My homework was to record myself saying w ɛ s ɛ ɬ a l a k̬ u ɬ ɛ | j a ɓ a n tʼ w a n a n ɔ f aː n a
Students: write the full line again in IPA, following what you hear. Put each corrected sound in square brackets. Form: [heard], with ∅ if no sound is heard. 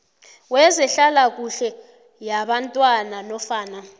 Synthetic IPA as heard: w ɛ [z] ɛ ɬ a l a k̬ u ɬ ɛ | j a ɓ a n tʼ w a n a n ɔ f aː n a